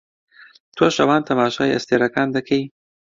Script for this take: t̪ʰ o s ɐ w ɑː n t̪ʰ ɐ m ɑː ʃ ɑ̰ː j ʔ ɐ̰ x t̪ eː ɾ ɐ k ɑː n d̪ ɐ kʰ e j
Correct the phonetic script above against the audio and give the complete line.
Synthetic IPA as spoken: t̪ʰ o ʃ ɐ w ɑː n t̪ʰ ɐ m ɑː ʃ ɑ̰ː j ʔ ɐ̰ s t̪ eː ɾ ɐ k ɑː n d̪ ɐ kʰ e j